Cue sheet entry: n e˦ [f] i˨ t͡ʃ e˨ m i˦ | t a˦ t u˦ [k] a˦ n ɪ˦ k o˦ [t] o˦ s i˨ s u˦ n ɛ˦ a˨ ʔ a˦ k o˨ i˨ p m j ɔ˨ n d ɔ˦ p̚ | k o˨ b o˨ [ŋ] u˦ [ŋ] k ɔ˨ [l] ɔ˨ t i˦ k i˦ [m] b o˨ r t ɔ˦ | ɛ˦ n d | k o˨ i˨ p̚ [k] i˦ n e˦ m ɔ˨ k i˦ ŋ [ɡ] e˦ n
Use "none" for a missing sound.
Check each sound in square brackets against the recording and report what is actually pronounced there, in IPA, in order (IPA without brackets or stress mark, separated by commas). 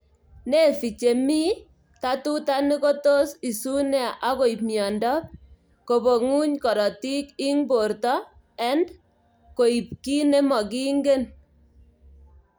f, t, t, ŋ, ɲ, ɾ, ŋ, k, ɡ